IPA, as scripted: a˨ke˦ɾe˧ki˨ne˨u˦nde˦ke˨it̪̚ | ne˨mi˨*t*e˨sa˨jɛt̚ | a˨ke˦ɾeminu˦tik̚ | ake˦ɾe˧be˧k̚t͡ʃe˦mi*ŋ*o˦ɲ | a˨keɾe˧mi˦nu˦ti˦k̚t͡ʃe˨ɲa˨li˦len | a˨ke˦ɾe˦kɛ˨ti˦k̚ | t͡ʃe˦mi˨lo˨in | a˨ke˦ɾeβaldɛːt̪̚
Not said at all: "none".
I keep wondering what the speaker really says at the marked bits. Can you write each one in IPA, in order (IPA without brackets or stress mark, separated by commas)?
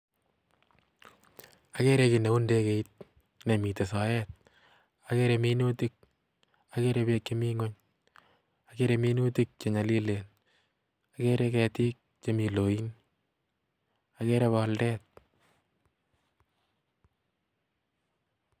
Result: t, ŋ